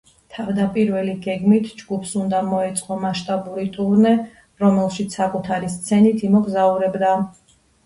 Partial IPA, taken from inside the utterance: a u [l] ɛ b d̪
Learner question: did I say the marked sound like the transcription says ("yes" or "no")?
no